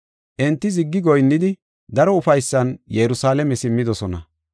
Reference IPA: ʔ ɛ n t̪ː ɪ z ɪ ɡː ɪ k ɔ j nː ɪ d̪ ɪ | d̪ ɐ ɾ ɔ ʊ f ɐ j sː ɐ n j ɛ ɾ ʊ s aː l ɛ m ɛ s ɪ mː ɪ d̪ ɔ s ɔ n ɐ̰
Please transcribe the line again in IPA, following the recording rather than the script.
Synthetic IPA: ʔ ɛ n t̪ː ɪ z ɪ ɡː ɪ ɡ ɔ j nː ɪ d̪ ɪ | d̪ ɐ ɾ ɔ ʊ f ɐ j sː ɐ n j ɛ ɾ ʊ s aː l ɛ m ɛ s ɪ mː ɪ d̪ ɔ s ɔ n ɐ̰